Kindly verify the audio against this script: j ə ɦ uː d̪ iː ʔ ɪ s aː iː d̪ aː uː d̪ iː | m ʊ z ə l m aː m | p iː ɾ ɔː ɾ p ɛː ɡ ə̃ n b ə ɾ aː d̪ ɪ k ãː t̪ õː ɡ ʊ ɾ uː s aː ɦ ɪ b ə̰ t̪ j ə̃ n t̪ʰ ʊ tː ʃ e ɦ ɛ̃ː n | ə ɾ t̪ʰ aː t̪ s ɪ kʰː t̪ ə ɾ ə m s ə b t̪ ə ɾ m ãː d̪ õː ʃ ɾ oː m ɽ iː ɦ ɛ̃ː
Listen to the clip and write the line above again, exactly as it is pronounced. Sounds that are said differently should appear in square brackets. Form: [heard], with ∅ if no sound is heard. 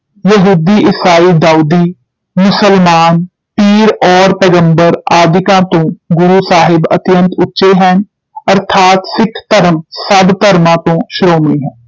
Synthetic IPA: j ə ɦ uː d̪ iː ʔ ɪ s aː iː d̪ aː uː d̪ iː | m ʊ [s] ə l m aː [n] | p iː ɾ ɔː ɾ p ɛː ɡ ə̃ [m] b ə ɾ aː d̪ ɪ k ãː t̪ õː ɡ ʊ ɾ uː s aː ɦ ɪ b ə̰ t̪ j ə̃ n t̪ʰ ʊ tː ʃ e ɦ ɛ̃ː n | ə ɾ t̪ʰ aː t̪ s ɪ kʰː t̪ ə ɾ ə m s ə b t̪ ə ɾ m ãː [t̪] õː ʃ ɾ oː m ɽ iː ɦ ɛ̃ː

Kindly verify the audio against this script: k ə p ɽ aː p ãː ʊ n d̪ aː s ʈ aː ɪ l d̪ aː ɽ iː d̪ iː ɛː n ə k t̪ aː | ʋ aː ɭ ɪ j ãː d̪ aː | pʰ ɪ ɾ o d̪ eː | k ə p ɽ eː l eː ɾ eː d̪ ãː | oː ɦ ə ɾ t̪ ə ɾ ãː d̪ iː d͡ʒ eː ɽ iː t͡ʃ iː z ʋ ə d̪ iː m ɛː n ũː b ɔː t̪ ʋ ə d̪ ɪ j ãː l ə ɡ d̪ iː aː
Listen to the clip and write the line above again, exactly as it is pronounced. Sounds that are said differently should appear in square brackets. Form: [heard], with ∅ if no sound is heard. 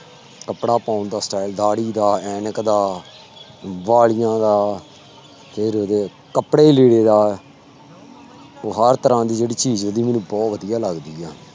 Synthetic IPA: k ə p ɽ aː p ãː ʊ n d̪ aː s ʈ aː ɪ l d̪ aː ɽ iː d̪ [aː] ɛː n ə k [d̪] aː | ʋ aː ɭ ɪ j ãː d̪ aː | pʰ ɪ ɾ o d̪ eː | k ə p ɽ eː l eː [ɽ] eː d̪ [aː] | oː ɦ ə ɾ t̪ ə ɾ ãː d̪ iː d͡ʒ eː ɽ iː t͡ʃ iː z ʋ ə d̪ iː m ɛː n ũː b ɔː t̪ ʋ ə d̪ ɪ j [aː] l ə ɡ d̪ iː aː

